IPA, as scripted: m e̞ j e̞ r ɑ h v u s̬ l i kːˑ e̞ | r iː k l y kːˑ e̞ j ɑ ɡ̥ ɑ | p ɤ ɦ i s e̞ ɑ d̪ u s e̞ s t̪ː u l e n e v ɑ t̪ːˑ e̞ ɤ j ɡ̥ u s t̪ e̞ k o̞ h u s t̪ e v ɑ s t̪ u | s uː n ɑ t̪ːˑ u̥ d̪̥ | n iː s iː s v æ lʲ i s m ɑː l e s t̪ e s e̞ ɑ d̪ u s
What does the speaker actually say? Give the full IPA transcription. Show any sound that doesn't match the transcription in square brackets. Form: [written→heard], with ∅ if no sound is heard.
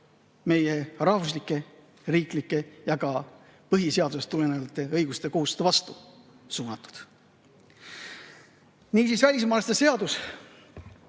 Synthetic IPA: m e̞ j e̞ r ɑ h v u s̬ l i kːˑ e̞ | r iː k l [y→i] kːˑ e̞ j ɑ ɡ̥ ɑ | p ɤ ɦ i s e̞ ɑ d̪ u s e̞ s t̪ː u l e n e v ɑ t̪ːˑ e̞ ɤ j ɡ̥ u s t̪ e̞ k o̞ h u s t̪ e v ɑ s t̪ u | s uː n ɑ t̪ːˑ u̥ d̪̥ | n iː s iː s v æ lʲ i s m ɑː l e s t̪ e s e̞ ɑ d̪ u s